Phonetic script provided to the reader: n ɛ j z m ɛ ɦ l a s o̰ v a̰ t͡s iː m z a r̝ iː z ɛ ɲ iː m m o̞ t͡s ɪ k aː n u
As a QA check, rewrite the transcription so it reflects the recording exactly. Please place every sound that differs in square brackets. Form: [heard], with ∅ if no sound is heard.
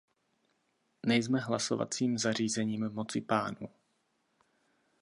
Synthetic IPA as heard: n ɛ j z m ɛ ɦ l a s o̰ v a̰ t͡s iː m z a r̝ iː z ɛ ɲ iː m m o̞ t͡s ɪ [p] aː n u